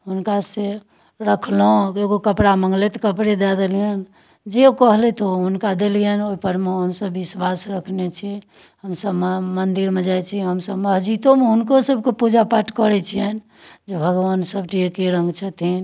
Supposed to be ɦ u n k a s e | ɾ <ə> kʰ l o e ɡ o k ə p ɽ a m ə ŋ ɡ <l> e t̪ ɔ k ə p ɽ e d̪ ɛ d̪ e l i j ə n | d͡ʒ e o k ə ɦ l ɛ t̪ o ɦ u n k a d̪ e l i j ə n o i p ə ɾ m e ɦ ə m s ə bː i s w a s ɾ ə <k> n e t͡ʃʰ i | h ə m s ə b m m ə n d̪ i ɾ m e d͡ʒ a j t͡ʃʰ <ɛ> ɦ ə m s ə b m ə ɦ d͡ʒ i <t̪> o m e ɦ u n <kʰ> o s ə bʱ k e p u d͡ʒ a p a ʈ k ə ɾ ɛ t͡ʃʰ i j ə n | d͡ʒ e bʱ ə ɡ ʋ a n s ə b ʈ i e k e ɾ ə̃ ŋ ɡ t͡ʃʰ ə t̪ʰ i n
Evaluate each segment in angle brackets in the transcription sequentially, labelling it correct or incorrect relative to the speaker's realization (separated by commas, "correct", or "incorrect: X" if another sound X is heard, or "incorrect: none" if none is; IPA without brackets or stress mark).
correct, correct, incorrect: kʰ, incorrect: i, correct, incorrect: k